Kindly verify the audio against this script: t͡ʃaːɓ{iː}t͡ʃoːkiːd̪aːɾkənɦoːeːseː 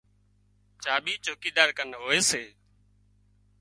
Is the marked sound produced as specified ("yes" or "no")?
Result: yes